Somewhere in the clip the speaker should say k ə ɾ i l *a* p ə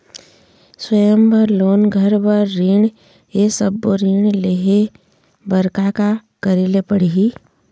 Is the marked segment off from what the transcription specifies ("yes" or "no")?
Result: yes